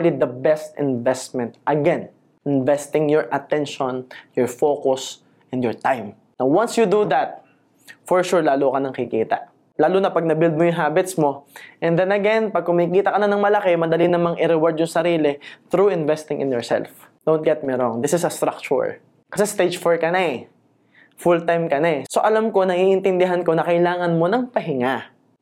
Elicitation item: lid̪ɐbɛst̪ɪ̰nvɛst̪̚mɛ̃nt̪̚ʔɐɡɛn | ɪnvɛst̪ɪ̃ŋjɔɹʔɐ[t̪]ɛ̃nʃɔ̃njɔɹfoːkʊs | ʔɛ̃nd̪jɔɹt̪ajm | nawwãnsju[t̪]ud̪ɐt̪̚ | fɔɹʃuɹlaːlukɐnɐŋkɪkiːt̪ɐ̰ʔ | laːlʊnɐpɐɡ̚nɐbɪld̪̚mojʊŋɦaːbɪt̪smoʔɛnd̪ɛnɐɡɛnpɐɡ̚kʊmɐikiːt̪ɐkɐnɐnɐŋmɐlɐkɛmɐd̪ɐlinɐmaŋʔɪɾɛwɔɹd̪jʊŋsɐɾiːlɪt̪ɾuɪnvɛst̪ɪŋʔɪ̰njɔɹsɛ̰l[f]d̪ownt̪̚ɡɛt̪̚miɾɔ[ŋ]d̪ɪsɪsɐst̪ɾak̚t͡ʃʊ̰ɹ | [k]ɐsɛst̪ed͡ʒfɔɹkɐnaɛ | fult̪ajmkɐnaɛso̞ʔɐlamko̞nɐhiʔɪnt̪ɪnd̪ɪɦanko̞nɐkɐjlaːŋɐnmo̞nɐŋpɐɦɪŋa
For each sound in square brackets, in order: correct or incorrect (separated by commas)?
correct, incorrect, correct, correct, correct